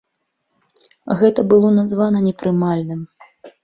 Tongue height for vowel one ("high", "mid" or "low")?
mid